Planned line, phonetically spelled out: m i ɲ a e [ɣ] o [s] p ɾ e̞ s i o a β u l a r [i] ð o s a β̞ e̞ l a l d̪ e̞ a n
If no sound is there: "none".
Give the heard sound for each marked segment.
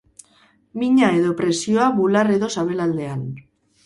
ð, none, e

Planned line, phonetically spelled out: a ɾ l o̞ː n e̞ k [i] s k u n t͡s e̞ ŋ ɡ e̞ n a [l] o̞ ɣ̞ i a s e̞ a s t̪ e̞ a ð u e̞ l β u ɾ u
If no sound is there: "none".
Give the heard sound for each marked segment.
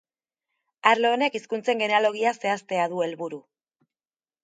i, l

